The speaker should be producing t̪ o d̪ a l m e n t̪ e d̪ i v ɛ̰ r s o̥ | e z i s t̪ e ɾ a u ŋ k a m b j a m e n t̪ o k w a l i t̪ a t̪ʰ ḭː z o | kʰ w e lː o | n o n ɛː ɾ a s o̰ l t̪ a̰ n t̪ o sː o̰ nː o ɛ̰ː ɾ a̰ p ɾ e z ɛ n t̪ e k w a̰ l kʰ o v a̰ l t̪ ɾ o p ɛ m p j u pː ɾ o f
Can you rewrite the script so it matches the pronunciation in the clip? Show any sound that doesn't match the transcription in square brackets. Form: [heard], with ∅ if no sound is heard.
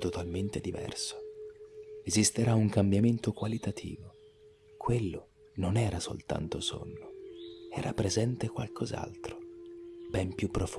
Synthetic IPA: t̪ o [t̪] a l m e n t̪ e d̪ i v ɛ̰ r s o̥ | e z i s t̪ e ɾ a u ŋ k a m b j a m e n t̪ o k w a l i t̪ a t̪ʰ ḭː [v] o | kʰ w e lː o | n o n ɛː ɾ a s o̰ l t̪ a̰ n t̪ o [s] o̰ nː o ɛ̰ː ɾ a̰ p ɾ e z ɛ n t̪ e k w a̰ l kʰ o [z] a̰ l t̪ ɾ o [b] ɛ m p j u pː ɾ o f